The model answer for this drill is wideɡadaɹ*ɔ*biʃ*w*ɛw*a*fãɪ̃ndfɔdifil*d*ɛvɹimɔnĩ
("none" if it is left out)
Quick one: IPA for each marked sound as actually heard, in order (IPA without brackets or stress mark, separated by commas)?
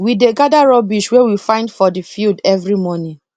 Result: ɔ, w, i, d